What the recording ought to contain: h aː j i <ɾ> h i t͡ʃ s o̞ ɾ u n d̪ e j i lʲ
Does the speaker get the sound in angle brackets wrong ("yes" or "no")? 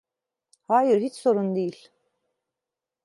no